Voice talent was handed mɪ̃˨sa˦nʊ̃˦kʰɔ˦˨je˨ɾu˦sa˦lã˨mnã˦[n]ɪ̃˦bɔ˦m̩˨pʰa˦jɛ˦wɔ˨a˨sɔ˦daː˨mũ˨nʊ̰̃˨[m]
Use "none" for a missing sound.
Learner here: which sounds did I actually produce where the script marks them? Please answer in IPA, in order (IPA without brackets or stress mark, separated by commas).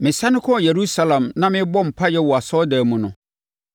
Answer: m, none